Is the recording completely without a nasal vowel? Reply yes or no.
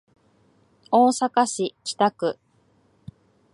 yes